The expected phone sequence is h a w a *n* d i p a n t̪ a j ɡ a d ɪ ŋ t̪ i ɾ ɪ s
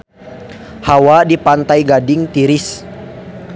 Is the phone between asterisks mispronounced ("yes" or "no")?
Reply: yes